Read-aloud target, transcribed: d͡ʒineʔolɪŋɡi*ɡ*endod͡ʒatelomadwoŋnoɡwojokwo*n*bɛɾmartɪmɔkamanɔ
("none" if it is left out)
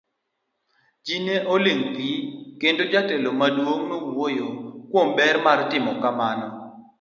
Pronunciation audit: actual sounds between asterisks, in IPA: k, m

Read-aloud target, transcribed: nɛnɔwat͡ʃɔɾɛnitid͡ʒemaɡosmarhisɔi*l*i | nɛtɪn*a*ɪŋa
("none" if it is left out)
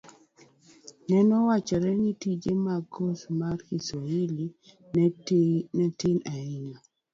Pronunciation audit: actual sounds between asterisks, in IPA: l, a

